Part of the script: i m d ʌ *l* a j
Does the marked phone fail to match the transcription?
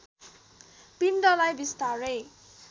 no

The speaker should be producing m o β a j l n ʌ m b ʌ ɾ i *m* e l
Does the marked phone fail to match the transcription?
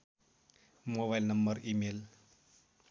no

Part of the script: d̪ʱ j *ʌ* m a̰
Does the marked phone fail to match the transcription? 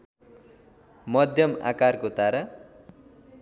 no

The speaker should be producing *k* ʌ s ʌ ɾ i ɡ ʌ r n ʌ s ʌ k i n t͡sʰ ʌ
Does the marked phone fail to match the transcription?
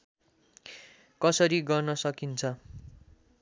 no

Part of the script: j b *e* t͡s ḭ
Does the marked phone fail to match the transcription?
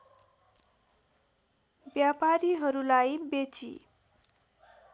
no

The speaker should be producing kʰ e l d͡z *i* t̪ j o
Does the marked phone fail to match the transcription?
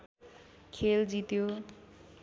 no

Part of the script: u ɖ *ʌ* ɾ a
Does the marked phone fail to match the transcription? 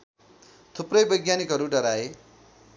no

